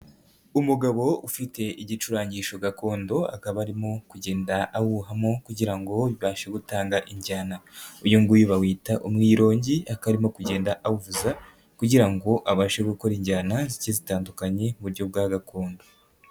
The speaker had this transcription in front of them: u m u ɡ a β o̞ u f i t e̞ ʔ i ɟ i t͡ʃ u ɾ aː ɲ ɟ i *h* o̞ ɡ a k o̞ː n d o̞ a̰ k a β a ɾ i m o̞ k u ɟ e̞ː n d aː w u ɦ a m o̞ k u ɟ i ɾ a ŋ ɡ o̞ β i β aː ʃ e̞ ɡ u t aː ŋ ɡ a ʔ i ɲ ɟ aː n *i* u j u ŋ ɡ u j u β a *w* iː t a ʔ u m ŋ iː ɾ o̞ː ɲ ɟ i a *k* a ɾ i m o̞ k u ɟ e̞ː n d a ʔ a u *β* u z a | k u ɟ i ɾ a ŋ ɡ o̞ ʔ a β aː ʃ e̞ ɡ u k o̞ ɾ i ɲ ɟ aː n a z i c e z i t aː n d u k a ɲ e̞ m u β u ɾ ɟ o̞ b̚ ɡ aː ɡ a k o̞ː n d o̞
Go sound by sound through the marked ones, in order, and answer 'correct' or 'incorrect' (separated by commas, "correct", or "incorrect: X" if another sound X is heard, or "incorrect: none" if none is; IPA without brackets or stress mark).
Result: incorrect: ʃ, incorrect: a, correct, correct, incorrect: v